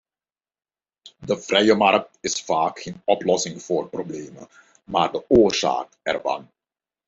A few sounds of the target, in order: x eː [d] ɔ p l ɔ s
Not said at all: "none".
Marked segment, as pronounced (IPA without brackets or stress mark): n